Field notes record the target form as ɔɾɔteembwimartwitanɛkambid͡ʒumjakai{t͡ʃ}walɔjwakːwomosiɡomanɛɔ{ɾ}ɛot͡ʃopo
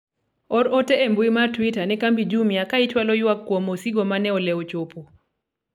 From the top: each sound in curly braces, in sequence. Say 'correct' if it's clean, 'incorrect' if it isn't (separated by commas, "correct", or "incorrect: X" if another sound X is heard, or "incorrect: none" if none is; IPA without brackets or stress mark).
correct, incorrect: l